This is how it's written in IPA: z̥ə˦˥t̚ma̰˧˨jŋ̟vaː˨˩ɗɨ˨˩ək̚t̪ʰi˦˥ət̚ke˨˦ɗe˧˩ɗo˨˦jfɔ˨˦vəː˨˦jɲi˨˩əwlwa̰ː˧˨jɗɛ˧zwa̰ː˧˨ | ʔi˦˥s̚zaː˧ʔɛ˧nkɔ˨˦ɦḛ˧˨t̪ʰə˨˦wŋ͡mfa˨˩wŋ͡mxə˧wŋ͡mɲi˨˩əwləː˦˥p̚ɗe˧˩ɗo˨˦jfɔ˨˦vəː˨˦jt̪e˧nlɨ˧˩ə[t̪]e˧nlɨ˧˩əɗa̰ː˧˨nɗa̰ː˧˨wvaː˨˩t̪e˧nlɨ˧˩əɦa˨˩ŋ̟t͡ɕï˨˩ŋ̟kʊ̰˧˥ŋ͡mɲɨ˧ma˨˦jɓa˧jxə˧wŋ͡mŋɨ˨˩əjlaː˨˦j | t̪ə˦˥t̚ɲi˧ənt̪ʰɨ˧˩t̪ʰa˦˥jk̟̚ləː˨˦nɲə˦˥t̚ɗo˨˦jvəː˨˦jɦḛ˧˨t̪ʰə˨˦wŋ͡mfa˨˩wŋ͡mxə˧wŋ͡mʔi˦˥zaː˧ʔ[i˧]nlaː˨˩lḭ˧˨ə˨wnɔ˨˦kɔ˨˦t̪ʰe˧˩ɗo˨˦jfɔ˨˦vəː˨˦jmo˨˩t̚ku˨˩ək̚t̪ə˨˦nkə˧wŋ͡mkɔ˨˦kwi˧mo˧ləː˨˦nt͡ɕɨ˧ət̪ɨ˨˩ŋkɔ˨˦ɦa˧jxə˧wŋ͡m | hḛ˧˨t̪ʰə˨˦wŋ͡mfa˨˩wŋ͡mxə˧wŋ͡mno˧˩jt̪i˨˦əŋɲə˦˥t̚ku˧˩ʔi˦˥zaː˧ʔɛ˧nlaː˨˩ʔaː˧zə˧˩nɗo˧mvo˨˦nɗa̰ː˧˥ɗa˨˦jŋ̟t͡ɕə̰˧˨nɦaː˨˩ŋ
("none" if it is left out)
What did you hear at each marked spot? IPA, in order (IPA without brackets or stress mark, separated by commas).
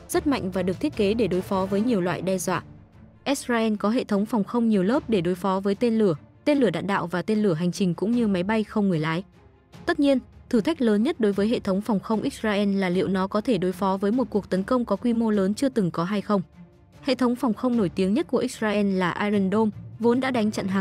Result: t̪, ɛ˧